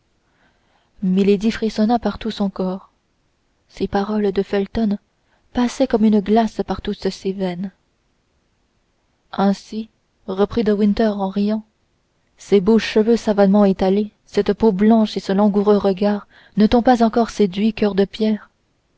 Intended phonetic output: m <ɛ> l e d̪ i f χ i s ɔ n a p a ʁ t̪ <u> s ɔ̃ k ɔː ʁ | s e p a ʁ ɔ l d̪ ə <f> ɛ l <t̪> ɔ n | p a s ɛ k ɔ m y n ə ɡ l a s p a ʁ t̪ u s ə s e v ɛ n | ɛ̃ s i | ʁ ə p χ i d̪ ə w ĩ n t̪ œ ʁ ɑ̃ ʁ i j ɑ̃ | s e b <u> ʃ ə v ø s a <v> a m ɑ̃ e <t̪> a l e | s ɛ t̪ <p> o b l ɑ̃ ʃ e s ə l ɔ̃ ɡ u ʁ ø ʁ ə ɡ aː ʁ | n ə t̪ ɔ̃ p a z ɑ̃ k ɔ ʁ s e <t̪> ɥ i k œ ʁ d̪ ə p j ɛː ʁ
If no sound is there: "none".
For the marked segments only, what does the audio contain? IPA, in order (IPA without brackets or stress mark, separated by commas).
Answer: i, u, f, t̪, o, v, t̪, p, d̪